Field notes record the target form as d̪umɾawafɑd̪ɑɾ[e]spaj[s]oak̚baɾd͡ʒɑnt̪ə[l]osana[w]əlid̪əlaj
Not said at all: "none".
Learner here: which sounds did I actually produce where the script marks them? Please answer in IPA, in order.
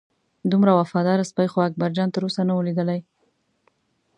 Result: a, x, ɾ, w

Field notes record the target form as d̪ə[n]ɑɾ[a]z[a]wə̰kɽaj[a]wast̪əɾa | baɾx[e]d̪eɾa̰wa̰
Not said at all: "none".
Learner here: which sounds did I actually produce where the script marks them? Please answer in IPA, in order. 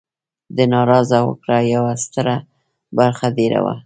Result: n, ɑ, a, a, a

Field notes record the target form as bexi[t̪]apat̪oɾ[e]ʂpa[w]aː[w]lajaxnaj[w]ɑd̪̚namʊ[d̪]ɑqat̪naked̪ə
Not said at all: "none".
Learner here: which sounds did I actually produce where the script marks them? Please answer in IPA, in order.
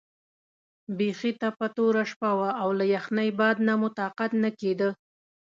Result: t̪, a, w, w, b, t̪

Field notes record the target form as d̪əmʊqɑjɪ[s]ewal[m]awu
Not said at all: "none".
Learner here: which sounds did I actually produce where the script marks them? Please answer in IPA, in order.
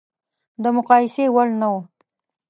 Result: s, n

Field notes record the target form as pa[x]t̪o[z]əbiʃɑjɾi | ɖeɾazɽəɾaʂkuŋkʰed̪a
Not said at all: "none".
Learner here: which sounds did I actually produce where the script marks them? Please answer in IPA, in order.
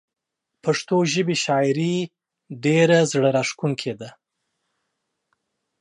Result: ʂ, ʒ

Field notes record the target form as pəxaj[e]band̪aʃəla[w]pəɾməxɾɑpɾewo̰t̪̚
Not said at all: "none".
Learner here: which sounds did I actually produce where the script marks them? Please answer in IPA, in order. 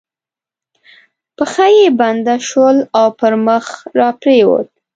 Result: e, w

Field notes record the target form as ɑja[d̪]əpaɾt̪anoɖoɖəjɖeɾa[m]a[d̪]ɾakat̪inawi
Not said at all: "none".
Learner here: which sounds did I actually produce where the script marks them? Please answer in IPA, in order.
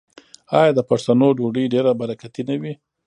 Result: d̪, b, none

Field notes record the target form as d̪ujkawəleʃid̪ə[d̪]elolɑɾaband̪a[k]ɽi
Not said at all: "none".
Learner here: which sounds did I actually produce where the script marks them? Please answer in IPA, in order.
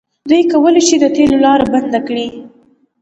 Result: t̪, k

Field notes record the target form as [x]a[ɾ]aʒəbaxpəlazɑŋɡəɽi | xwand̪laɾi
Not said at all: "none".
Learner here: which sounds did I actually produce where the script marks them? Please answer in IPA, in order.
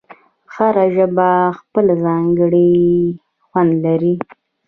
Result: x, ɾ

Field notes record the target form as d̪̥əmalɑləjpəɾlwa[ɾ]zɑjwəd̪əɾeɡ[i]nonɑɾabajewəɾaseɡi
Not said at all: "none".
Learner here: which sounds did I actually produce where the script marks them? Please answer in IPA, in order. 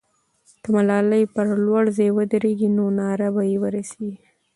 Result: ɽ, i

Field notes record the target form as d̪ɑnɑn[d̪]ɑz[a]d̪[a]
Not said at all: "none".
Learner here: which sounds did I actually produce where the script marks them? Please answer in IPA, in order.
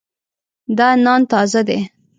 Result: t̪, a, e

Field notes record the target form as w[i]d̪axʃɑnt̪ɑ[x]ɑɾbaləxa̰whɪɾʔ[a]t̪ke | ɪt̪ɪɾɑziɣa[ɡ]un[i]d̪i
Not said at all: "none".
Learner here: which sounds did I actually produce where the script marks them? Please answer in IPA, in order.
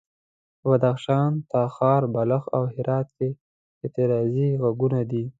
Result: a, x, ɑ, ɡ, a

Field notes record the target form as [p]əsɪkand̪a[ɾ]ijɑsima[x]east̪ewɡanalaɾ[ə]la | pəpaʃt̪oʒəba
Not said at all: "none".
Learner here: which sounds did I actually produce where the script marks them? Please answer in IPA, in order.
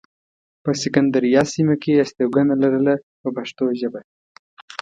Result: p, ɾ, k, ə

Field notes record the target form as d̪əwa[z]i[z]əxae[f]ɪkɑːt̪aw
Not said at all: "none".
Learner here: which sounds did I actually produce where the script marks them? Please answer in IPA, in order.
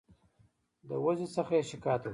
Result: z, s, ʃ

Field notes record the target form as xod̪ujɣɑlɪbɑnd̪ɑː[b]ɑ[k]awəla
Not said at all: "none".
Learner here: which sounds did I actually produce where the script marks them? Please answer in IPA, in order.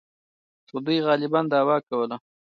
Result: w, k

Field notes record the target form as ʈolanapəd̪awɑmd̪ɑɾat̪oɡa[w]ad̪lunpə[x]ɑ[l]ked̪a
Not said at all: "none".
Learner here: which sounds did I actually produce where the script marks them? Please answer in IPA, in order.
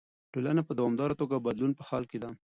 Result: b, x, l

